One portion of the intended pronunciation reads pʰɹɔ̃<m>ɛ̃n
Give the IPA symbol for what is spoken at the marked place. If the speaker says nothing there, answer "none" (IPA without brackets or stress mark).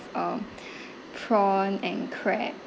n